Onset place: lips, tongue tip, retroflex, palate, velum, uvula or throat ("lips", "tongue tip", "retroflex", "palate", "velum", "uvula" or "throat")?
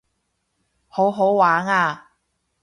throat